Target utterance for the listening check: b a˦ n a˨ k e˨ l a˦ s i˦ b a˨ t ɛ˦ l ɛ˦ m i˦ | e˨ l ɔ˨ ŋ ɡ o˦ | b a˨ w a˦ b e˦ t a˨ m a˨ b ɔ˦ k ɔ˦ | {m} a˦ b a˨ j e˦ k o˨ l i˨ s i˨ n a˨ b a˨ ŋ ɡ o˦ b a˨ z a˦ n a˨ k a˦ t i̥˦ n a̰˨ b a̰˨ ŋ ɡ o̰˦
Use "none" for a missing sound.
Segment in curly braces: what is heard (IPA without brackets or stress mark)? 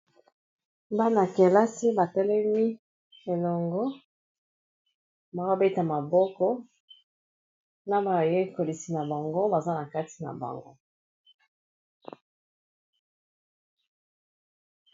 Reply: n